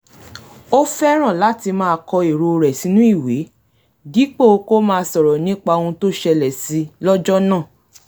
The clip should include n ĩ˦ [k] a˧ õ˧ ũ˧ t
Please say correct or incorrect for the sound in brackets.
incorrect